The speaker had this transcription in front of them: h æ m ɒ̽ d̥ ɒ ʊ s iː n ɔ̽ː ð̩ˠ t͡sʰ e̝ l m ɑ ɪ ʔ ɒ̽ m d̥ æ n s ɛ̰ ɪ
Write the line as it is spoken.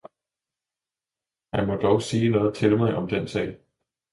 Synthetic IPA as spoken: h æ m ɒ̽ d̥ ɒ ʊ s iː n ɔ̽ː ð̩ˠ t͡sʰ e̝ l m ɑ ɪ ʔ ɒ̽ m d̥ e n s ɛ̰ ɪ